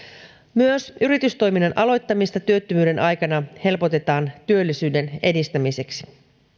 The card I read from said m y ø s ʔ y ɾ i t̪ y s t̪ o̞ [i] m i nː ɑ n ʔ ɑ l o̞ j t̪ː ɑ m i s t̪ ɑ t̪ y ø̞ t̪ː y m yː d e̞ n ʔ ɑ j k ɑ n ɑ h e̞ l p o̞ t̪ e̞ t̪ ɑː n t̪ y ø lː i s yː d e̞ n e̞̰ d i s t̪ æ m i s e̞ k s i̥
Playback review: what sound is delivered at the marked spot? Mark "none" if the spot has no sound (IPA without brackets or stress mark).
j